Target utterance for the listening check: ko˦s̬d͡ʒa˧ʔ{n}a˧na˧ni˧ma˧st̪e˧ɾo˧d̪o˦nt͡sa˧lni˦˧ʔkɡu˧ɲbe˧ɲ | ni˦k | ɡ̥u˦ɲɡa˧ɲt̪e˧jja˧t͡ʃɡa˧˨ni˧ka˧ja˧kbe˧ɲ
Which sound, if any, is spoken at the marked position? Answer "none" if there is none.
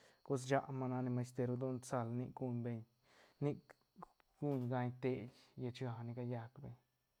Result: m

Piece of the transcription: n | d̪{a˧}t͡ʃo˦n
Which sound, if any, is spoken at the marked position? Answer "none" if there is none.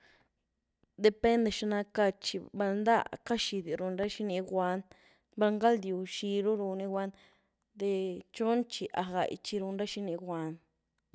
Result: e˧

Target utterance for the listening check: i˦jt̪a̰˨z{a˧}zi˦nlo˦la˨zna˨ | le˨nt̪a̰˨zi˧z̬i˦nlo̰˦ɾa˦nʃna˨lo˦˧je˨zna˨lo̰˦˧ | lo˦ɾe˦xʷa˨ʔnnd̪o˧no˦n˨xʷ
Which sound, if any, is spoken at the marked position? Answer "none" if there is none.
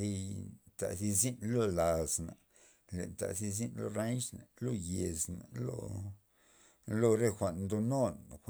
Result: i˧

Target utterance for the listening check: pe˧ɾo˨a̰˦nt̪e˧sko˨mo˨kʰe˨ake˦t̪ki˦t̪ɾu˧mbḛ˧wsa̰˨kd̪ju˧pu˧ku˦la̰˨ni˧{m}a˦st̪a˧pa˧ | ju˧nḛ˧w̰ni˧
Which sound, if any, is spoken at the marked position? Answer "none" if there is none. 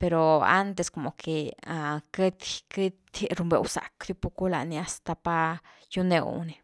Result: none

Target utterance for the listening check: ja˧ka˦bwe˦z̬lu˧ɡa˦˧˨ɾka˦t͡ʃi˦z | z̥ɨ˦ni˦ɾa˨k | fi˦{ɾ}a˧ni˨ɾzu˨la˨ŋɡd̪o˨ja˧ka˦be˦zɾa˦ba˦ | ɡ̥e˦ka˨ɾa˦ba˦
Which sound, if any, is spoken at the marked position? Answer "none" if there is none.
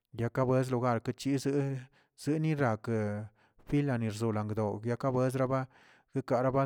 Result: l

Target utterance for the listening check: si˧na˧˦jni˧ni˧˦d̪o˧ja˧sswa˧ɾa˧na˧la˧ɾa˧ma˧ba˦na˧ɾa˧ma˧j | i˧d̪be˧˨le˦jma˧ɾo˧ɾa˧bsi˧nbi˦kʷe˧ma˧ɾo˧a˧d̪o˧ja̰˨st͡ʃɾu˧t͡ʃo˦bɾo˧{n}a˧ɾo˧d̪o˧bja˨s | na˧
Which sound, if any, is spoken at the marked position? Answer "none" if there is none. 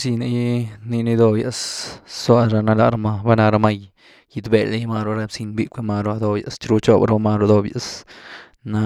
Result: m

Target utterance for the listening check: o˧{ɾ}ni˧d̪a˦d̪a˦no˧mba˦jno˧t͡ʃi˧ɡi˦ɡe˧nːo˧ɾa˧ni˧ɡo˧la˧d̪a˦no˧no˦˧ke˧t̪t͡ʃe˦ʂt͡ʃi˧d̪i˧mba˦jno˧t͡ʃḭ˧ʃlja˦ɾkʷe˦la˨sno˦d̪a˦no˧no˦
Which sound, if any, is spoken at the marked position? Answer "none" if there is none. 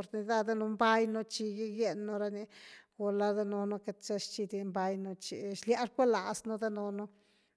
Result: ɾ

